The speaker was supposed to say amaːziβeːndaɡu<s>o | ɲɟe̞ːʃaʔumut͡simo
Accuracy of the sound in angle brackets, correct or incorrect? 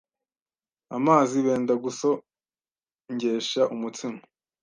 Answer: correct